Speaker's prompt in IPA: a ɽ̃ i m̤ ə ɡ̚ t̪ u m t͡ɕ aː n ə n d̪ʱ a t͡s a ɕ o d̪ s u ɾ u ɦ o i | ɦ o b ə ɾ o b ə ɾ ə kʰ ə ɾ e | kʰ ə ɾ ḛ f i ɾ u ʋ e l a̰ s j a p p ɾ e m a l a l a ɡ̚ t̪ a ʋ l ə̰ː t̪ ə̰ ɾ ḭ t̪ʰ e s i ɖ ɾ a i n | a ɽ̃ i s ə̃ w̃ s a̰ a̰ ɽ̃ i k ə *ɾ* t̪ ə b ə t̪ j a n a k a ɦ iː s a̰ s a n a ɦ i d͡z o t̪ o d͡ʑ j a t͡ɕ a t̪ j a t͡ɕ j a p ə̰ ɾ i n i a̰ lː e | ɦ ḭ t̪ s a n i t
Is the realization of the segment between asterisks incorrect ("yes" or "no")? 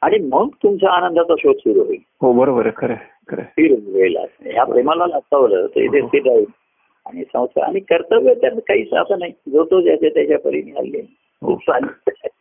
no